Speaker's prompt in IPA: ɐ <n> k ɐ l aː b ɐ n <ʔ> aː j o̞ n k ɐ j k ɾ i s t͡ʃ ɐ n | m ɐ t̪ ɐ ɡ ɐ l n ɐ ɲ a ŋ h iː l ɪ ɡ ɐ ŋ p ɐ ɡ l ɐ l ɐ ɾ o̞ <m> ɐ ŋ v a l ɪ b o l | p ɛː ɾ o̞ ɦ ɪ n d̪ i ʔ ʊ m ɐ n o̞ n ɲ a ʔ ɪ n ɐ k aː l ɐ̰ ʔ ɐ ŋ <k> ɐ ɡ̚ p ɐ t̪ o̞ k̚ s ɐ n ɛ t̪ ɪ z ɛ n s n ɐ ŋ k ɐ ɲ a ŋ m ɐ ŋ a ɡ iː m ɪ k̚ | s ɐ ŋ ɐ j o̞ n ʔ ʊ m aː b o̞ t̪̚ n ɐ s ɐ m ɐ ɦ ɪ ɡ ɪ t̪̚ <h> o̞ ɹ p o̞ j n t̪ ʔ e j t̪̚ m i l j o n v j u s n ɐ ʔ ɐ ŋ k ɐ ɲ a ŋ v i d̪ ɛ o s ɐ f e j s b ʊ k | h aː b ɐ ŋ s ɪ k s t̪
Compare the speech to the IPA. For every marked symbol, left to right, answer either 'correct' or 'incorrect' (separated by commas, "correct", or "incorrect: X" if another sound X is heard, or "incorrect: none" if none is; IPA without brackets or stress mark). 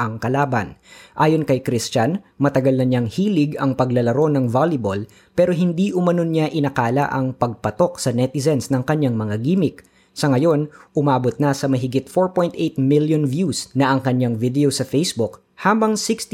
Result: incorrect: ŋ, correct, incorrect: n, incorrect: p, incorrect: f